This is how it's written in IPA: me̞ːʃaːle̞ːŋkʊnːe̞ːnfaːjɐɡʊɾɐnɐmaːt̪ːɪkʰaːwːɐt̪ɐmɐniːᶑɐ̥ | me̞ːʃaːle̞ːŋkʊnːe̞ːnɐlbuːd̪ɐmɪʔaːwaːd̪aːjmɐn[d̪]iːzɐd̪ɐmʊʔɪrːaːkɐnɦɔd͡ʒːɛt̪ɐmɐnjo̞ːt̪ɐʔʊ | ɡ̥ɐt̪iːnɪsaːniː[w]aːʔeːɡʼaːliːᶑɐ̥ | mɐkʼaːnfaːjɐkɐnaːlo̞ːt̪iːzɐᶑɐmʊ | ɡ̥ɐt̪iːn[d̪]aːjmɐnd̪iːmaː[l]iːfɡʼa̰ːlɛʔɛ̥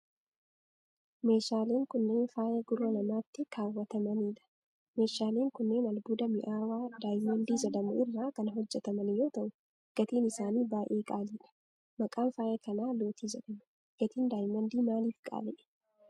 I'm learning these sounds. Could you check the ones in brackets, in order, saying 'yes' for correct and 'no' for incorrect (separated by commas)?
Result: yes, no, yes, yes